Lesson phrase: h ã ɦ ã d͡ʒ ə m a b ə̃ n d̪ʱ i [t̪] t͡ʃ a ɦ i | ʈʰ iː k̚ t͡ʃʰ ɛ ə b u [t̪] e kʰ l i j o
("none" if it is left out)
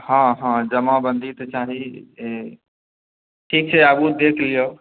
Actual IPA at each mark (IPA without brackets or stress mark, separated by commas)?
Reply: t̪, d̪